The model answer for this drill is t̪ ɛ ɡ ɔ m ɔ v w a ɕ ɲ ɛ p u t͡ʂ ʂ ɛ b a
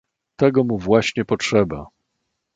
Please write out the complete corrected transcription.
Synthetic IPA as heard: t̪ ɛ ɡ ɔ m u v w a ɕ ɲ ɛ p ɔ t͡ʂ ʂ ɛ b a